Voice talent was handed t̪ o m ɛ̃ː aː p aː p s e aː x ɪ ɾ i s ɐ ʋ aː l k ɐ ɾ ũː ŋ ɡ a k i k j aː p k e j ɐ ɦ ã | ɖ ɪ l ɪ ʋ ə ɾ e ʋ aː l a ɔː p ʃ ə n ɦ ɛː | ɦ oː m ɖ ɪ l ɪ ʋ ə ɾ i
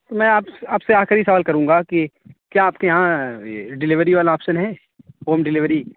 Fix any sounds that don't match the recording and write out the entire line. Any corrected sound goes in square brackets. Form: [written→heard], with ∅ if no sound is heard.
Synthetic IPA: t̪ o m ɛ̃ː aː p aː p s e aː x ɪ ɾ i s ɐ ʋ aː l k ɐ ɾ ũː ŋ ɡ a k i k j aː p k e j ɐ ɦ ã | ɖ ɪ l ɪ ʋ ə ɾ [e→i] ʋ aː l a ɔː p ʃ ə n ɦ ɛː | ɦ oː m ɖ ɪ l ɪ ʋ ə ɾ i